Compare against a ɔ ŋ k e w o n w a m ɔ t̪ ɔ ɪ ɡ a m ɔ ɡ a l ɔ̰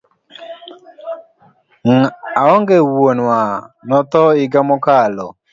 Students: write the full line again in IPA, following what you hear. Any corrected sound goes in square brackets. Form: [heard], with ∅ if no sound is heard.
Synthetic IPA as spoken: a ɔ ŋ [ɡ] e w o n w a [n] ɔ t̪ ɔ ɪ ɡ a m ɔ [k] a l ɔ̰